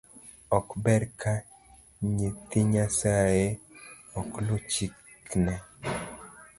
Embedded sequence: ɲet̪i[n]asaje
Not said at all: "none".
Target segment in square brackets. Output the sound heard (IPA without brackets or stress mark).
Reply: ɲ